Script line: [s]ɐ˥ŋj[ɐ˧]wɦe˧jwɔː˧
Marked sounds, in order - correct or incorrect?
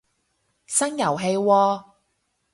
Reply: correct, incorrect

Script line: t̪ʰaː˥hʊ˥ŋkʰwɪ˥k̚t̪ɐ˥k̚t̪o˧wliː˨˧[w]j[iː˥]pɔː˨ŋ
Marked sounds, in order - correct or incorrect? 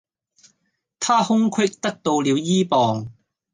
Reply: correct, correct

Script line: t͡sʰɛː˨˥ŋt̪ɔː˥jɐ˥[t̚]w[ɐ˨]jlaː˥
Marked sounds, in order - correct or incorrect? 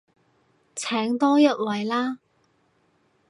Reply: correct, correct

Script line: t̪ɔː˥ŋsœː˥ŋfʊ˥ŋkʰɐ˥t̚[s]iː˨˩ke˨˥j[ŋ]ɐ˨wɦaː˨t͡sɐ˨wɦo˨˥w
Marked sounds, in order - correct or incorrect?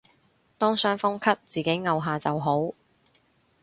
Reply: incorrect, correct

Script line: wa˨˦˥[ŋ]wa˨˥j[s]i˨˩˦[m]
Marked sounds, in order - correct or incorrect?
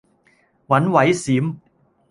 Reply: incorrect, correct, correct

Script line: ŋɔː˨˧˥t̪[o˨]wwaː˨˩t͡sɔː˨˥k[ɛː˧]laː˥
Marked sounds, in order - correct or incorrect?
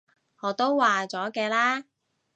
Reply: incorrect, correct

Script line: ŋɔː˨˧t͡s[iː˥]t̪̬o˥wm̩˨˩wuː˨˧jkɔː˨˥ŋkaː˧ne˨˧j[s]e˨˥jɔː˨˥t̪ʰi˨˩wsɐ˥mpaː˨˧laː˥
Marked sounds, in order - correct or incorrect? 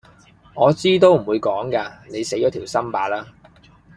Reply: correct, correct

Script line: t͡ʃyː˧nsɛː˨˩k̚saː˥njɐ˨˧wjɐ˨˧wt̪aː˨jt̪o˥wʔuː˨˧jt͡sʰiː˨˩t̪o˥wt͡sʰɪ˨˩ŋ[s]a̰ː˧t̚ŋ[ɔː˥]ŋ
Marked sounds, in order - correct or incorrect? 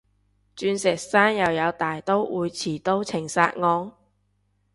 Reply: correct, incorrect

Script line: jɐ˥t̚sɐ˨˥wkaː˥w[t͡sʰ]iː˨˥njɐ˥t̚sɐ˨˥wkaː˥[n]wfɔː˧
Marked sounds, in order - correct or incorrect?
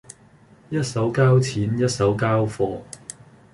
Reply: correct, incorrect

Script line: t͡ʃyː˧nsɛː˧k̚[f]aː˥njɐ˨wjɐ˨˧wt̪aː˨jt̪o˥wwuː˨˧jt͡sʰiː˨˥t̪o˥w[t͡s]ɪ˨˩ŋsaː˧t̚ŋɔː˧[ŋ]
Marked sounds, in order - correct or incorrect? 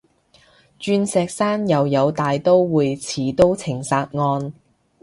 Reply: incorrect, incorrect, incorrect

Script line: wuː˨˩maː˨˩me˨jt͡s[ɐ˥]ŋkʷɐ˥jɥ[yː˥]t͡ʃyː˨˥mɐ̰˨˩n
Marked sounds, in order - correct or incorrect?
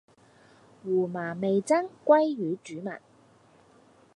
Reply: correct, incorrect

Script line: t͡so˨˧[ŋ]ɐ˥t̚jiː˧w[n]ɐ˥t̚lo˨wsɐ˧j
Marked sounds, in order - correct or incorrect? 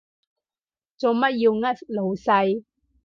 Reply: incorrect, incorrect

